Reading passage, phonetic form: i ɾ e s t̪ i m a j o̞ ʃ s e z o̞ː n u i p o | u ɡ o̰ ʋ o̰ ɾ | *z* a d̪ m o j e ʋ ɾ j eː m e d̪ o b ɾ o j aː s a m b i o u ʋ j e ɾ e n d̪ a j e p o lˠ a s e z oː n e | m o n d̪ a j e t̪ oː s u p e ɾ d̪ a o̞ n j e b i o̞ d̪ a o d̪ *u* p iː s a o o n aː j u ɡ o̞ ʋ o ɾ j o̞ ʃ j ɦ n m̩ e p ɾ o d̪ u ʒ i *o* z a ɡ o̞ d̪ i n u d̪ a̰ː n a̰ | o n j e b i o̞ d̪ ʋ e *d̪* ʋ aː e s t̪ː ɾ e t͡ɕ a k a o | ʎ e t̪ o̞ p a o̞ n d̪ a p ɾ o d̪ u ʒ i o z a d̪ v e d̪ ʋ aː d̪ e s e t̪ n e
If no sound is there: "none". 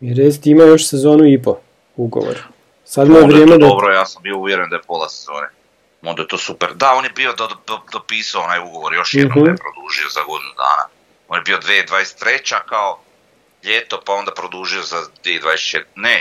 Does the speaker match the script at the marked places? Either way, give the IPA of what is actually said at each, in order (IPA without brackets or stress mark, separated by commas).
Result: s, o, o, d̪